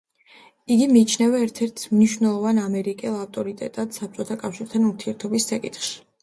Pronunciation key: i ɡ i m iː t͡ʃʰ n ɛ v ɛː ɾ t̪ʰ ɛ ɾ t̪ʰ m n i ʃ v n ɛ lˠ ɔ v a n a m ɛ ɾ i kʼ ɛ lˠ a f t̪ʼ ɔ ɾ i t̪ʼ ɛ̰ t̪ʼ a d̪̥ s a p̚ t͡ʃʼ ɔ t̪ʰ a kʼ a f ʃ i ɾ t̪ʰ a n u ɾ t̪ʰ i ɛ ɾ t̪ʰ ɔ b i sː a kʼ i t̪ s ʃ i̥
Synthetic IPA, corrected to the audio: i ɡ i m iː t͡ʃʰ n ɛ v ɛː ɾ t̪ʰ ɛ ɾ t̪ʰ m n i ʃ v n ɛ lˠ ɔ v a n a m ɛ ɾ i kʼ ɛ lˠ a f t̪ʼ ɔ ɾ i t̪ʼ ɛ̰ t̪ʼ a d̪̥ s a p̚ t͡ʃʼ ɔ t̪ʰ a kʼ a f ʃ i ɾ t̪ʰ a n u ɾ t̪ʰ i ɛ ɾ t̪ʰ ɔ b i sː a kʼ i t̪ χ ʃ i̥

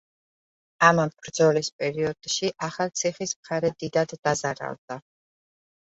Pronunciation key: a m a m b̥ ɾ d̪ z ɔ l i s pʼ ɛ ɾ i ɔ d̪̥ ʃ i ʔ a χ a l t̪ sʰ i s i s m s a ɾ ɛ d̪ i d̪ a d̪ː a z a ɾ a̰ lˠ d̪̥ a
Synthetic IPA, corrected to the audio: a m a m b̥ ɾ d̪ z ɔ l i s pʼ ɛ ɾ i ɔ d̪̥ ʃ i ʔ a χ a l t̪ sʰ i χ i s m χ a ɾ ɛ d̪ i d̪ a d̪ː a z a ɾ a̰ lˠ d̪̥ a

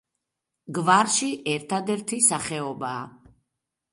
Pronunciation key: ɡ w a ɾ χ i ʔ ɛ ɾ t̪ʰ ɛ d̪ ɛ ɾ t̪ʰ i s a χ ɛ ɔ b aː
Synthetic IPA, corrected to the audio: ɡ v a ɾ ʃ i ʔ ɛ ɾ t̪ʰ a d̪ ɛ ɾ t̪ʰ i s a χ ɛ ɔ b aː

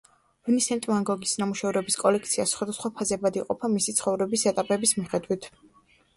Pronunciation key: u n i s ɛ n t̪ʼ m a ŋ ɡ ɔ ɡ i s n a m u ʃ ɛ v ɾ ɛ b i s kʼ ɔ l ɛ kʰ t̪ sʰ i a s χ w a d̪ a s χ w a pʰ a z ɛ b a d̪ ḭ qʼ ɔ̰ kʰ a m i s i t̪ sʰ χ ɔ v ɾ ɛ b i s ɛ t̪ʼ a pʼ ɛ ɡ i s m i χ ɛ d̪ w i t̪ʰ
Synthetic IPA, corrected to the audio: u n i s ɛ n t̪ʼ m a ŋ ɡ ɔ ɡ i s n a m u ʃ ɛ v ɾ ɛ b i s kʼ ɔ l ɛ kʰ t̪ sʰ i a s χ w a d̪ a s χ w a pʰ a z ɛ b a d̪ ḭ qʼ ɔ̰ pʰ a m i s i t̪ sʰ χ ɔ v ɾ ɛ b i s ɛ t̪ʼ a pʼ ɛ b i s m i χ ɛ d̪ w i t̪ʰ

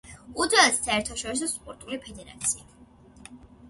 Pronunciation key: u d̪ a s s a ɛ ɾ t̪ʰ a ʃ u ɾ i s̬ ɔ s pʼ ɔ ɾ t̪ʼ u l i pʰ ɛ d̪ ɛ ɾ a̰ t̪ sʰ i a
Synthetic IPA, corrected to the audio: u d̪ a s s a ɛ ɾ t̪ʰ a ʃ ɔ ɾ i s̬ ɔ s pʼ ɔ ɾ t̪ʼ u l i pʰ ɛ d̪ ɛ ɾ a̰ t̪ sʰ i a

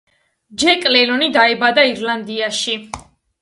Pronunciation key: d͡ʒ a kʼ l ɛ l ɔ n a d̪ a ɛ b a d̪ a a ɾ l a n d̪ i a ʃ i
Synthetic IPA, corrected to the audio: d͡ʒ ɛ kʼ l ɛ l ɔ n i d̪ a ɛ b a d̪ a i ɾ l a n d̪ i a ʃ i

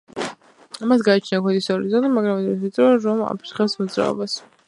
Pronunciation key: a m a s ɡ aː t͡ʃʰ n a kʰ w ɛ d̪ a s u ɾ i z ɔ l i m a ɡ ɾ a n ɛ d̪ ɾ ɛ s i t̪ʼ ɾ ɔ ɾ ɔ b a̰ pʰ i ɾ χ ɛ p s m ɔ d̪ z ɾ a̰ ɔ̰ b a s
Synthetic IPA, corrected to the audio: a m a s ɡ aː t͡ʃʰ n a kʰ w ɛ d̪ i s ɔ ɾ i z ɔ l i m a ɡ ɾ a m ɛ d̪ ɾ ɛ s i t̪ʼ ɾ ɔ ɾ ɔ m a̰ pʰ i ɾ χ ɛ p s m ɔ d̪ z ɾ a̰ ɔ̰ b a s

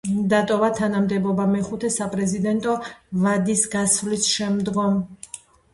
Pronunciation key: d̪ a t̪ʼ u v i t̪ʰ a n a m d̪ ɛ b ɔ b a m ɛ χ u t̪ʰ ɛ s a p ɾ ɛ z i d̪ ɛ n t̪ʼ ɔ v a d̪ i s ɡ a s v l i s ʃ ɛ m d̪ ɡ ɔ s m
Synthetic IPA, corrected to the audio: d̪ a t̪ʼ ɔ v a t̪ʰ a n a m d̪ ɛ b ɔ b a m ɛ χ u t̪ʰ ɛ s a pʼ ɾ ɛ z i d̪ ɛ n t̪ʼ ɔ v a d̪ i s ɡ a s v l i s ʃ ɛ m d̪ ɡ ɔ m

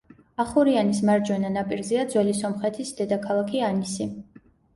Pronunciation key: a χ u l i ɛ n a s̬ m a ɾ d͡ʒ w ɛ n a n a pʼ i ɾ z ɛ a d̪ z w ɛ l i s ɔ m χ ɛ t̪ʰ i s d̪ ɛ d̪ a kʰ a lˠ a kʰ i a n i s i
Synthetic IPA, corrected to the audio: a χ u ɾ i a n i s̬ m a ɾ d͡ʒ w ɛ n a n a pʼ i ɾ z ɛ a d̪ z w ɛ l i s ɔ m χ ɛ t̪ʰ i s d̪ ɛ d̪ a kʰ a lˠ a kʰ i a n i s i

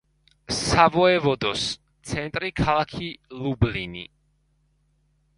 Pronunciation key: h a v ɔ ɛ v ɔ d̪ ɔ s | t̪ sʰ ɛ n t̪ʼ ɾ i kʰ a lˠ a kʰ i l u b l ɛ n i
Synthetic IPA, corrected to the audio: s a v ɔ ɛ v ɔ d̪ ɔ s | t̪ sʰ ɛ n t̪ʼ ɾ i kʰ a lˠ a kʰ i l u b l i n i

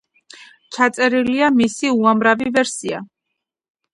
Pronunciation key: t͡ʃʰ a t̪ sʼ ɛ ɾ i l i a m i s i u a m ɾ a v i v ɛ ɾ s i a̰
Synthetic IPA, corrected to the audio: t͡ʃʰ a t̪ sʼ ɛ ɾ i l i a m i s i u a m ɾ a v i v ɛ ɾ s i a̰

